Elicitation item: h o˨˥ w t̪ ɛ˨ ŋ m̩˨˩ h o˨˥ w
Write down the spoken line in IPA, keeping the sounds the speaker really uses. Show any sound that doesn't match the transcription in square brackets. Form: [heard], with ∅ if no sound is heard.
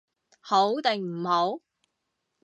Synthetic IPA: h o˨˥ w t̪ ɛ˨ ŋ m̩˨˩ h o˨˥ w